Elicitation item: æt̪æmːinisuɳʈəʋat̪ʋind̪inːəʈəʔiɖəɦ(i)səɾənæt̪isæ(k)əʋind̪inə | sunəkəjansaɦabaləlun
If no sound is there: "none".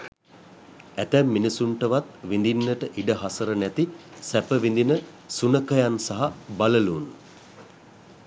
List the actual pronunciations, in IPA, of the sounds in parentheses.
a, p

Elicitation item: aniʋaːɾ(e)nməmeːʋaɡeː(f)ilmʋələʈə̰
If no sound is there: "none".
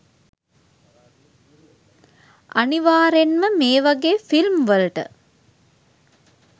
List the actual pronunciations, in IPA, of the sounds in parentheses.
e, f

